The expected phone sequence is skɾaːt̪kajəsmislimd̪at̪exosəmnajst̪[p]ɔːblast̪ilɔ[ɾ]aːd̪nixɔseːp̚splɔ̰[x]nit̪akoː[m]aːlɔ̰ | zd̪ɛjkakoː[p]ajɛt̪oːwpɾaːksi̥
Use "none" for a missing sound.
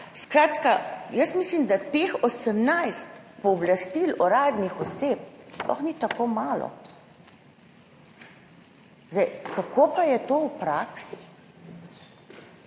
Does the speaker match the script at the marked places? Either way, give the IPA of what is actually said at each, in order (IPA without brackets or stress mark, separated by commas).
p, ɾ, x, m, p